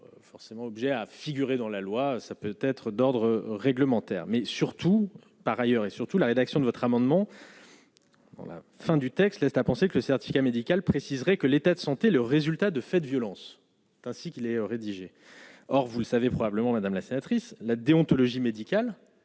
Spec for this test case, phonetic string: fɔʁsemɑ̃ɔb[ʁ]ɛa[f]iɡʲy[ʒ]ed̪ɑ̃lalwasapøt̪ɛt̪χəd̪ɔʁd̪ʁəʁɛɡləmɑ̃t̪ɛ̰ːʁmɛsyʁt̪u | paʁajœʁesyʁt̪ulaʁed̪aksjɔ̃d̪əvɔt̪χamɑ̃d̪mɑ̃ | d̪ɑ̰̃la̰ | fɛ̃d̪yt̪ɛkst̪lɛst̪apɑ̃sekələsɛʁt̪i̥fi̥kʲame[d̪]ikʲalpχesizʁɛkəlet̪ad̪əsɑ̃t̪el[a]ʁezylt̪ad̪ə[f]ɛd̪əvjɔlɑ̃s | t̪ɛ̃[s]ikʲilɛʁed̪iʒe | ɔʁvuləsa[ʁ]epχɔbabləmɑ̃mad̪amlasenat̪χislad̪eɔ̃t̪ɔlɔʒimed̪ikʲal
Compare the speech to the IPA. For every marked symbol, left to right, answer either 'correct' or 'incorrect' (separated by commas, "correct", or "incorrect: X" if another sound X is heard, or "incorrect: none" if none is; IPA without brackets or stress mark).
incorrect: ʒ, correct, incorrect: ʁ, correct, incorrect: ə, correct, correct, incorrect: v